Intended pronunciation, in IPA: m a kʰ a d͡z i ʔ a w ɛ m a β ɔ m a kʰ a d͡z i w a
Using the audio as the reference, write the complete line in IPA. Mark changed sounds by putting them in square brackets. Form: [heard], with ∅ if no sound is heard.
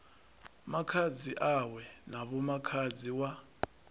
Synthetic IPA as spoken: m a kʰ a d͡z i ʔ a w ɛ [n] a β ɔ m a kʰ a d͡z i w a